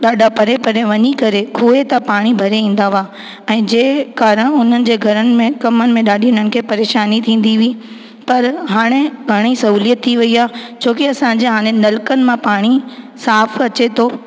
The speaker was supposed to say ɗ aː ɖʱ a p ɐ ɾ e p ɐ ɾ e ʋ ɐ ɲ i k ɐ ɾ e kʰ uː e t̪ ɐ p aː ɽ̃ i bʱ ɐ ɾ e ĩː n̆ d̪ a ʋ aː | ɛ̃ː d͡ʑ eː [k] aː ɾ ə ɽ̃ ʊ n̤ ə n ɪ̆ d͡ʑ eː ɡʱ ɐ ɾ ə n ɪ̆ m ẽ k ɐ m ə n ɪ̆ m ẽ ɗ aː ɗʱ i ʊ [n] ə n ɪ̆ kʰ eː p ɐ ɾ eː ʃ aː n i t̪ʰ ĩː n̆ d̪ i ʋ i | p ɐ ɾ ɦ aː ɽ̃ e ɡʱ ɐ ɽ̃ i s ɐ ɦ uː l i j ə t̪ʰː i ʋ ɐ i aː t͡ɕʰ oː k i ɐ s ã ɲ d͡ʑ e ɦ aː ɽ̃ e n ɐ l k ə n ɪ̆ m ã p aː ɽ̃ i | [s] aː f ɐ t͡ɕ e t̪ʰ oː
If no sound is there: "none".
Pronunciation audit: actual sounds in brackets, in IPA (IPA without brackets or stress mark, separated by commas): k, n, s